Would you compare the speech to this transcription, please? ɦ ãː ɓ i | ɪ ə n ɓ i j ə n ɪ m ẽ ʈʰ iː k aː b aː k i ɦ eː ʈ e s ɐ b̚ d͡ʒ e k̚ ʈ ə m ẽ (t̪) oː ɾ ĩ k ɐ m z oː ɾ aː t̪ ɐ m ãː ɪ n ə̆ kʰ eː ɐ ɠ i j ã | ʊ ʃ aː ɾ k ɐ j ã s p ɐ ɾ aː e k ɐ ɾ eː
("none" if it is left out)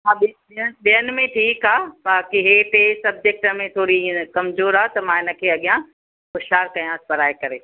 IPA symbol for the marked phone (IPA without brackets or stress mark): t̪ʰ